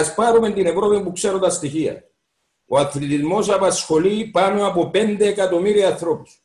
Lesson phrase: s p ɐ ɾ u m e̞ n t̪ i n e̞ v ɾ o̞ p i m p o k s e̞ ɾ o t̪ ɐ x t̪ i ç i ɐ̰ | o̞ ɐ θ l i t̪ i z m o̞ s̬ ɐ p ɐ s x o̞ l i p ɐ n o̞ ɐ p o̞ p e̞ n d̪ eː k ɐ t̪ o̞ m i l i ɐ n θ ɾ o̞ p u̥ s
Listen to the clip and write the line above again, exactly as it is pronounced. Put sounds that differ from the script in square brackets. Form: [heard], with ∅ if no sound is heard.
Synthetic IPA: s p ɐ ɾ u m e̞ n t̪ i n e̞ v ɾ o̞ p i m p [u] k s e̞ ɾ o t̪ ɐ [s] t̪ i ç i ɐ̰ | o̞ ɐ θ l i t̪ i z m o̞ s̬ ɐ p ɐ s x o̞ l i p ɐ n o̞ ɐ p o̞ p e̞ n d̪ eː k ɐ t̪ o̞ m i [ɾ] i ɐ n θ ɾ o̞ p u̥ s